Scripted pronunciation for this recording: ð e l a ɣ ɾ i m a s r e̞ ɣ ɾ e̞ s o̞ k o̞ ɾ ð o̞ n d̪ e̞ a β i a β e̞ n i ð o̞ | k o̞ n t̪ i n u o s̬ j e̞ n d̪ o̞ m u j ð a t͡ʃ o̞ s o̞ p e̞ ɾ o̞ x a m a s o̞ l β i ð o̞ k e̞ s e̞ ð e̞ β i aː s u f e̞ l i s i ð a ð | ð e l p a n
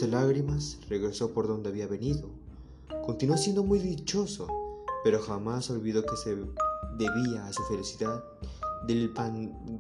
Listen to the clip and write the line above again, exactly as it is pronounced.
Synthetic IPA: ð e l a ɣ ɾ i m a s r e̞ ɣ ɾ e̞ s o̞ p o̞ ɾ ð o̞ n d̪ e̞ a β i a β e̞ n i ð o̞ | k o̞ n t̪ i n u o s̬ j e̞ n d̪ o̞ m u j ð i t͡ʃ o̞ s o̞ p e̞ ɾ o̞ x a m a s o̞ l β i ð o̞ k e̞ s e̞ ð e̞ β i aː s u f e̞ l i s i ð a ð | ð e l p a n